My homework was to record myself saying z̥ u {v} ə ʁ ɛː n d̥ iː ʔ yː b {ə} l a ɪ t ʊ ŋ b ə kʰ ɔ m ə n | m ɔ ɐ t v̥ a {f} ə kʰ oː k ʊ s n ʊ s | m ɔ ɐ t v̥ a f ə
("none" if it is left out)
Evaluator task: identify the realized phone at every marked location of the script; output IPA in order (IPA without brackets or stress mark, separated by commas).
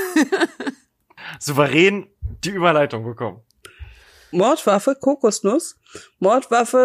v, ɐ, f